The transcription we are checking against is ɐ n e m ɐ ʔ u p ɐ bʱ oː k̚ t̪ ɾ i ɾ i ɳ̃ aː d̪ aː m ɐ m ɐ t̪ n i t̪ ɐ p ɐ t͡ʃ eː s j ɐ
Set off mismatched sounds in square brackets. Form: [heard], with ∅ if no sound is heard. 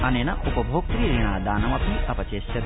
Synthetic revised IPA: ɐ n e [n] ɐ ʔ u p ɐ bʱ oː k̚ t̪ ɾ i ɾ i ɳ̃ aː d̪ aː [n] ɐ m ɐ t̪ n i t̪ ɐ p ɐ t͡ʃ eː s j ɐ